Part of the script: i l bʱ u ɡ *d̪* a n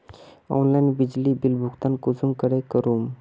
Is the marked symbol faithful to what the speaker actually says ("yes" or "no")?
no